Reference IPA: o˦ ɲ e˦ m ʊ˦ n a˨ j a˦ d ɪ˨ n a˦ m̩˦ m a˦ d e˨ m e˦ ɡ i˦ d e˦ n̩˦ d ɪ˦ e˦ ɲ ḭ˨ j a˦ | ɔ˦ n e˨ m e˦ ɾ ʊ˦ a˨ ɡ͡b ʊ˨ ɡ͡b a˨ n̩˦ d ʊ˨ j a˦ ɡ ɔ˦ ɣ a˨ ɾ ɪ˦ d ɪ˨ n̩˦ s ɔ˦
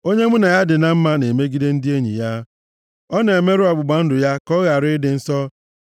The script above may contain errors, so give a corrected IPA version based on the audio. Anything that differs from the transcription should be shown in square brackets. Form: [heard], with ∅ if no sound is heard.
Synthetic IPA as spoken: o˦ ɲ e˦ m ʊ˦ n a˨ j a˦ d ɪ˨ n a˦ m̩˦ m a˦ [n] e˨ m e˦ ɡ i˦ d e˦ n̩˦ d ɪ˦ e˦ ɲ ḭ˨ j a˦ | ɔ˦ n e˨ m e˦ ɾ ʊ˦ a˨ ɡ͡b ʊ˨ ɡ͡b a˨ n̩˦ d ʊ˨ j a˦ [k] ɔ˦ ɣ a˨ ɾ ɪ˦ d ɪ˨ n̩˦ s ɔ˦